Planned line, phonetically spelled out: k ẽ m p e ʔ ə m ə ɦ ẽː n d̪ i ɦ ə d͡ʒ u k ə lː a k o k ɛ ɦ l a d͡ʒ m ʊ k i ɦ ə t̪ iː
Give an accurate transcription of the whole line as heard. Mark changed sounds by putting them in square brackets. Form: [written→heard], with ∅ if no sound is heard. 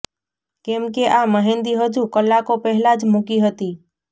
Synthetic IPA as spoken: k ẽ m [p→k] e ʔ [ə→a] m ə ɦ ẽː n d̪ i ɦ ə d͡ʒ u k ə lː a k o [k→p] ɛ ɦ l a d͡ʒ m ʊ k i ɦ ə t̪ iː